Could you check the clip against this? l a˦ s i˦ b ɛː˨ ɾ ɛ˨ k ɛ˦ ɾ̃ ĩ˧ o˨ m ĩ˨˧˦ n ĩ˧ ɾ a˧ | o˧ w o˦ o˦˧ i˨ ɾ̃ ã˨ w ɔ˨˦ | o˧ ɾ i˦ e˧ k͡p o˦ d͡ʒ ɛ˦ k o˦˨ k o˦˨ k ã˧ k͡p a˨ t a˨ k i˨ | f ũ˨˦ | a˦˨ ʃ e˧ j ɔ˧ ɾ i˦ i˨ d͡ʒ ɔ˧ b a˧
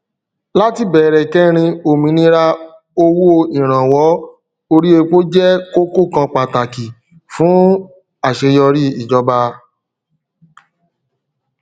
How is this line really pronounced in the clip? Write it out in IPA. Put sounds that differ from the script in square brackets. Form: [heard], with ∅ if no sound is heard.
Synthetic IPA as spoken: l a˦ [t] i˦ b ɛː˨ ɾ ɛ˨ k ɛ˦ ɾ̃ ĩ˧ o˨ m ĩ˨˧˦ n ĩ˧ ɾ a˧ | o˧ w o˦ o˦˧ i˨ ɾ̃ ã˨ w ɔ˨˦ | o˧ ɾ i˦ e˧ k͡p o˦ d͡ʒ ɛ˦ k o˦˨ k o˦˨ k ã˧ k͡p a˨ t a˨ k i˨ | f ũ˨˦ | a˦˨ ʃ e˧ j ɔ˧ ɾ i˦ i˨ d͡ʒ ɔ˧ b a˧